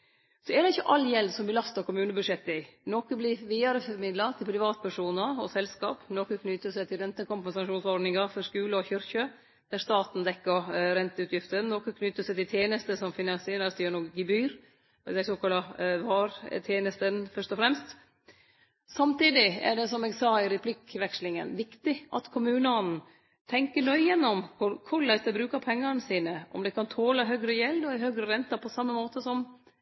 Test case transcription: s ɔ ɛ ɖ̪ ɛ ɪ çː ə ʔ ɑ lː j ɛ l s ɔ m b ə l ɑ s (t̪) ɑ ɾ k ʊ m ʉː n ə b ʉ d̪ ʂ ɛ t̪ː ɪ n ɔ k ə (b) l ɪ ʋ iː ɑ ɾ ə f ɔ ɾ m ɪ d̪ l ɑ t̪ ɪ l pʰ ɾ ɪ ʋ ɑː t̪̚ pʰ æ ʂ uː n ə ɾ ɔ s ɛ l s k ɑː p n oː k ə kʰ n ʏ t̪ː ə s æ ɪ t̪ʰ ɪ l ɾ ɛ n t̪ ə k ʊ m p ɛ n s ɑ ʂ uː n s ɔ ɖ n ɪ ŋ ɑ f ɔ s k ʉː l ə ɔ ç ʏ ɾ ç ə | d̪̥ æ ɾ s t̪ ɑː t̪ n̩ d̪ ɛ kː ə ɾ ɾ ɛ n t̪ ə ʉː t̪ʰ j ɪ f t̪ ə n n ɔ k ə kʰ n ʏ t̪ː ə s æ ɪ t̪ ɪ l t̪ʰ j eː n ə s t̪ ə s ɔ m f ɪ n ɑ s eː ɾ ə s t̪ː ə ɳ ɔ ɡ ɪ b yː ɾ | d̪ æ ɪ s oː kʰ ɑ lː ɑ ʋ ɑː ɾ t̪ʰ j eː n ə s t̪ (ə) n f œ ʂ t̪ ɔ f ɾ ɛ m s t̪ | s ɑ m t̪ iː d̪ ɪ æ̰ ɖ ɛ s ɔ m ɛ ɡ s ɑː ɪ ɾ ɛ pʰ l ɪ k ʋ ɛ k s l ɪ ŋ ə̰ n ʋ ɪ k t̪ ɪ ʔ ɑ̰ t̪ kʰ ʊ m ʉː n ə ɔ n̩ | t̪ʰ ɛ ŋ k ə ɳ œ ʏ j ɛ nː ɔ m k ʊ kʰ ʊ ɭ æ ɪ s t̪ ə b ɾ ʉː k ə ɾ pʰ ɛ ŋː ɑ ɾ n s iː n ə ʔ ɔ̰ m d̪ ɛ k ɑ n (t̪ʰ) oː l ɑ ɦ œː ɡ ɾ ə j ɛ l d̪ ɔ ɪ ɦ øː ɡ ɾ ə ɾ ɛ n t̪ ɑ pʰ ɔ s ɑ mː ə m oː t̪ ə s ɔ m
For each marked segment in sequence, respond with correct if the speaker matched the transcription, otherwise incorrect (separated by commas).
correct, correct, correct, correct